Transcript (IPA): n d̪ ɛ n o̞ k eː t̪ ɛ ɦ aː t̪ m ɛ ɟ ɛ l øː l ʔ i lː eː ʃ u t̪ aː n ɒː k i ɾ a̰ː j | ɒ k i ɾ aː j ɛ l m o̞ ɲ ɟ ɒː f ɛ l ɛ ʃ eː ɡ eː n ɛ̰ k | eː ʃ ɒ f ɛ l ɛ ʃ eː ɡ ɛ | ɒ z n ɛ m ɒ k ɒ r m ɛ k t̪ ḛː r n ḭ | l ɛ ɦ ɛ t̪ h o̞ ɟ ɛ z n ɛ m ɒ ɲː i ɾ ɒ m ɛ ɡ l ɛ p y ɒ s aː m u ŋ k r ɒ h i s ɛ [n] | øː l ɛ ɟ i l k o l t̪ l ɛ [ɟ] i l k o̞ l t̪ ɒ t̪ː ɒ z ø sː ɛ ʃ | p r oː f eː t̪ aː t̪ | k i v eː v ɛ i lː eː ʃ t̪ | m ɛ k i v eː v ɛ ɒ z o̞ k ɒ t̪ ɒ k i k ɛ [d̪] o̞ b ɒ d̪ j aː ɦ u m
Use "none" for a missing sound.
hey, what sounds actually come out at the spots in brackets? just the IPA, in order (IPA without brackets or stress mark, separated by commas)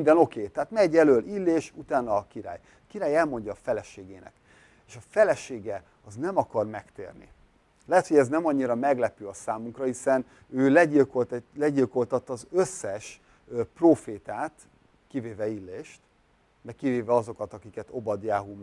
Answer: n, ɟ, t̪